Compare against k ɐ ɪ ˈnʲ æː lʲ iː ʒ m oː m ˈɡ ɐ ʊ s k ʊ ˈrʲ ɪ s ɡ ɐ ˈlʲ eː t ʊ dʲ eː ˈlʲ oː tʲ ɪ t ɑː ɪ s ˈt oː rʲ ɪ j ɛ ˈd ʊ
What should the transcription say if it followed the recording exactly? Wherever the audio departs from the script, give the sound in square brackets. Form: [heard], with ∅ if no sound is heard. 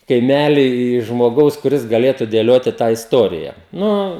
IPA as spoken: k ɐ ɪ [ˈmʲ] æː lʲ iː ʒ m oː [∅] ˈɡ ɐ ʊ s k ʊ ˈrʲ ɪ s ɡ ɐ ˈlʲ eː t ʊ dʲ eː ˈlʲ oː tʲ ɪ t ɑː ɪ s ˈt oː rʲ ɪ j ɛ [ˈn] ʊ